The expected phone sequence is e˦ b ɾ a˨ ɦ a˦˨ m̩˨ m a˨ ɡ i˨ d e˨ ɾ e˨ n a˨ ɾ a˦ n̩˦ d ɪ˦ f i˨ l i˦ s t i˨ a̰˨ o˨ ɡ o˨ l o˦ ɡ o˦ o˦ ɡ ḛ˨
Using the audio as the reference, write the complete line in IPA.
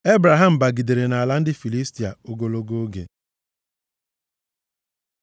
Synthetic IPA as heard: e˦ b ɾ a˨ ɦ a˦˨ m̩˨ b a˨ ɡ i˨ d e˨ ɾ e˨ n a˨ l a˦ n̩˦ d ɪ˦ f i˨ l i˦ s t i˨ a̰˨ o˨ ɡ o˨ l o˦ ɡ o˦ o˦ ɡ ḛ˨